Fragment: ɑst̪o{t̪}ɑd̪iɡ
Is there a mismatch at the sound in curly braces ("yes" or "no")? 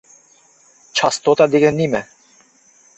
no